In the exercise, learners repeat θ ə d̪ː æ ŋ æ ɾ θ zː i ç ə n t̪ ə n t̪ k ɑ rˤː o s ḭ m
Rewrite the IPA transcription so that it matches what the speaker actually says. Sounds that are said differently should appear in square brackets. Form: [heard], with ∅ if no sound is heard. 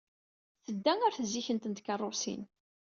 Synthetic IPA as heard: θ ə d̪ː æ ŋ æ ɾ θ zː i ç ə n t̪ ə n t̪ k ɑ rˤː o s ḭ [n]